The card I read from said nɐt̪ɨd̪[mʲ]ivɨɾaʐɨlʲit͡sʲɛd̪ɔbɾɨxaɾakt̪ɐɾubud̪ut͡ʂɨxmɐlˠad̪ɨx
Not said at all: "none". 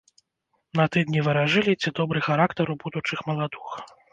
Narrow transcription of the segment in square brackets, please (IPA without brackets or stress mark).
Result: nʲ